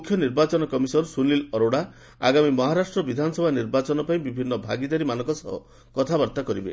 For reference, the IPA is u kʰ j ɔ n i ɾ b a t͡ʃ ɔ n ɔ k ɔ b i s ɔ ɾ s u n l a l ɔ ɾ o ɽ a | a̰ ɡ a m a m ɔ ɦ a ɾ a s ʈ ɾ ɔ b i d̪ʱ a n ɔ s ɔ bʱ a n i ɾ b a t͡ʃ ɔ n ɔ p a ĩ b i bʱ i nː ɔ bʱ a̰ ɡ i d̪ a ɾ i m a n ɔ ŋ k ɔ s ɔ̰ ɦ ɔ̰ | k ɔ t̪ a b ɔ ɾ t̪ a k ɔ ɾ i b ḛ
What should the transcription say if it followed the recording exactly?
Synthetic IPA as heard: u kʰ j ɔ n i ɾ b a t͡ʃ ɔ n ɔ k ɔ m i s ɔ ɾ s u n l i l ɔ ɾ o ɽ a | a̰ ɡ a m i m ɔ ɦ a ɾ a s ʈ ɾ ɔ b i d̪ʱ a n ɔ s ɔ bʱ a n i ɾ b a t͡ʃ ɔ n ɔ p a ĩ b i bʱ i nː ɔ bʱ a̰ ɡ i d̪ a ɾ i m a n ɔ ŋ k ɔ s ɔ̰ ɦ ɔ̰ | k ɔ t̪ʰ a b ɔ ɾ t̪ a k ɔ ɾ i b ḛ

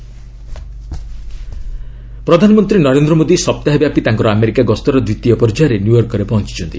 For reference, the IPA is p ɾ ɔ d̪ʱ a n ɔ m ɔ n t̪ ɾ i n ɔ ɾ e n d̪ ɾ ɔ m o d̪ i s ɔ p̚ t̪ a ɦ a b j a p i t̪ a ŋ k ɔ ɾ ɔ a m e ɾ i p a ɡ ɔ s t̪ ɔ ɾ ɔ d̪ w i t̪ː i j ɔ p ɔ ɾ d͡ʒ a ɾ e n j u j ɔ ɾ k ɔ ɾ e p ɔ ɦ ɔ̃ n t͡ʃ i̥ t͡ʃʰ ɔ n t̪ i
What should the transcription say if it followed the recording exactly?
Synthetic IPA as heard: p ɾ ɔ d̪ʱ a n ɔ m ɔ n t̪ ɾ i n ɔ ɾ e n d̪ ɾ ɔ m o d̪ i s ɔ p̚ t̪ a ɦ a b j a p i t̪ a ŋ k ɔ ɾ ɔ a m e ɾ i k a ɡ ɔ s t̪ ɔ ɾ ɔ d̪ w i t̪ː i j ɔ p ɔ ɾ d͡ʒ a ɾ e n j u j ɔ ɾ k ɔ ɾ e p ɔ ɦ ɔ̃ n t͡ʃ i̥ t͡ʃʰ ɔ n t̪ i

